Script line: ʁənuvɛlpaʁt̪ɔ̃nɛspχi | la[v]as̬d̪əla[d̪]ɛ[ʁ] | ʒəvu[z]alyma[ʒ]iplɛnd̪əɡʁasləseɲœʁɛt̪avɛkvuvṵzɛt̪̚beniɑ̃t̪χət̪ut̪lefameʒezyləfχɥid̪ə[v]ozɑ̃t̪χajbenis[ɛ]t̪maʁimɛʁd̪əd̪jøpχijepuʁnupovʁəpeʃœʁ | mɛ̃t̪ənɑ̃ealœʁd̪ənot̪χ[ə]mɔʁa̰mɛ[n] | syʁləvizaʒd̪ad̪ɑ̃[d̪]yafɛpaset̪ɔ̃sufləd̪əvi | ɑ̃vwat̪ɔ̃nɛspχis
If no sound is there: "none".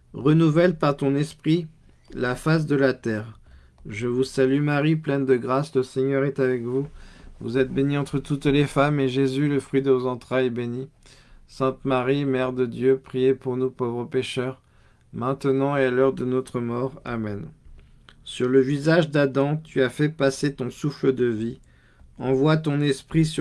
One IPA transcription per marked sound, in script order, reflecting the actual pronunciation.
f, t̪, ʁ, s, ʁ, v, ɛ̃, ə, n, t̪

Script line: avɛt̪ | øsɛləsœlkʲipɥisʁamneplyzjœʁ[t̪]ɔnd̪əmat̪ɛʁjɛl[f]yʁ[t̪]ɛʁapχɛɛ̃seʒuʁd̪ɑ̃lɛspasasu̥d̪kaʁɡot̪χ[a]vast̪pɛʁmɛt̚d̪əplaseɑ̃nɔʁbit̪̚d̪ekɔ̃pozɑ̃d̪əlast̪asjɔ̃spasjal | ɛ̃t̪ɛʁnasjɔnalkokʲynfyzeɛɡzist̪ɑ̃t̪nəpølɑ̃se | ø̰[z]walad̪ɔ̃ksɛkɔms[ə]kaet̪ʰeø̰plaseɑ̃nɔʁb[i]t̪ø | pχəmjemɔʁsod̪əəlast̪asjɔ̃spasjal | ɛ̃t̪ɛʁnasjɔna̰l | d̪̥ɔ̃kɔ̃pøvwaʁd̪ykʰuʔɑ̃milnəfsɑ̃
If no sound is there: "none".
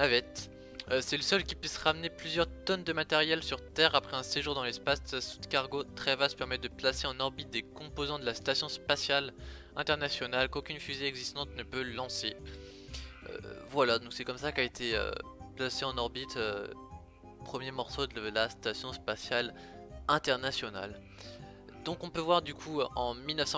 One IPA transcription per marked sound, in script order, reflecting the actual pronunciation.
t̪, s, t̪, ɛ, v, a, i

